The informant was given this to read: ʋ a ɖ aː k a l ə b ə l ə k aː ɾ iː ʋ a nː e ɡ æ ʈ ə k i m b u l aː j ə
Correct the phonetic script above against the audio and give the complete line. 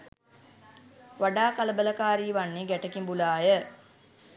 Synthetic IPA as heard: ʋ a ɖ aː k a l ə b ə l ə k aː ɾ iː ʋ a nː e ɡ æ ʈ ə k i m b u l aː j ə